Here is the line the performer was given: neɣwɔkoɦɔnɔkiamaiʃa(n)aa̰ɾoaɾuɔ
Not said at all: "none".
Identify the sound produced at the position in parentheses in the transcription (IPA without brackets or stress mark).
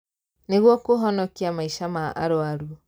m